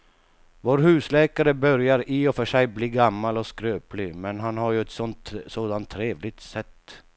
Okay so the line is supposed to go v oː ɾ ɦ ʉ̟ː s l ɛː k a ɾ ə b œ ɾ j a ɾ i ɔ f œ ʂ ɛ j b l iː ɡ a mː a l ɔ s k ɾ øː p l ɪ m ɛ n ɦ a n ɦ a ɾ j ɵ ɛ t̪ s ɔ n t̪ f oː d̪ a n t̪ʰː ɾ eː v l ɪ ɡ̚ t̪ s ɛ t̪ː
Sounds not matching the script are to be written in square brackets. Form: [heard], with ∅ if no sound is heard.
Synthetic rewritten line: v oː ɾ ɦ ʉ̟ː s l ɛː k a ɾ ə b œ ɾ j a ɾ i ɔ f œ ʂ ɛ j b l iː ɡ a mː a l ɔ s k ɾ øː p l ɪ m ɛ n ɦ a n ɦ a ɾ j ɵ ɛ t̪ s ɔ n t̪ [s] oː d̪ a n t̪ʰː ɾ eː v l ɪ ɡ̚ t̪ s ɛ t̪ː